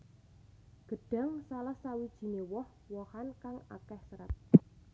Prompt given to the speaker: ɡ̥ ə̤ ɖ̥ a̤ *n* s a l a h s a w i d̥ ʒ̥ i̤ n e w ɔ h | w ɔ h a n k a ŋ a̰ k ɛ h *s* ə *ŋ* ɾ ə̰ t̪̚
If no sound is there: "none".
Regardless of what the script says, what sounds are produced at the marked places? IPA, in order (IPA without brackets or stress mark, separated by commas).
ŋ, s, none